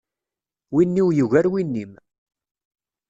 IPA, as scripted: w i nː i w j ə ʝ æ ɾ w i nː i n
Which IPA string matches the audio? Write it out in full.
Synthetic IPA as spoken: w i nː i w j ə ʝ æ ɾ w i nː i m